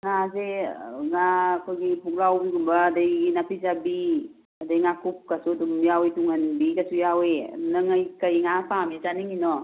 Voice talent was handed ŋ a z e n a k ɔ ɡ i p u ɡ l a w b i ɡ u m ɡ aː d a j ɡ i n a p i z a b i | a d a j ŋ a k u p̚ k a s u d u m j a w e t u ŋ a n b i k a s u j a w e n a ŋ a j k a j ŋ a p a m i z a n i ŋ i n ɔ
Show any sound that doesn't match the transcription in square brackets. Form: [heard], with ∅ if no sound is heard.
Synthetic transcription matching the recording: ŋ a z e [ŋ] a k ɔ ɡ i p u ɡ l a w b i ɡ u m [b] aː d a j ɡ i n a p i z a b i | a d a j ŋ a k u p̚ k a s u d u m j a w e t u ŋ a n b i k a s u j a w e n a ŋ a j k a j ŋ a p a m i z a n i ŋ i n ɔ